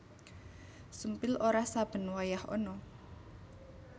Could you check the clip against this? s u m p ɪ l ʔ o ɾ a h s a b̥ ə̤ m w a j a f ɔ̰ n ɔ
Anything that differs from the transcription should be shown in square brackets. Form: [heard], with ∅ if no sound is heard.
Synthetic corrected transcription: s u m p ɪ l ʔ o ɾ a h s a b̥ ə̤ [n] w a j a [h] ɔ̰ n ɔ